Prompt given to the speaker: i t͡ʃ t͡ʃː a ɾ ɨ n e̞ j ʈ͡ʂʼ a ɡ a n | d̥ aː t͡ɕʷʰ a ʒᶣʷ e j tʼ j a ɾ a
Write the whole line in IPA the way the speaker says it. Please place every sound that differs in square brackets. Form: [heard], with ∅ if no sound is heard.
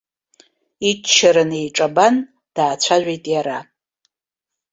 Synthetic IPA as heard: i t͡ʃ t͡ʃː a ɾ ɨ n e̞ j ʈ͡ʂʼ a [b] a n | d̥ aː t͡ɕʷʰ a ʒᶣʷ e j tʼ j a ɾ a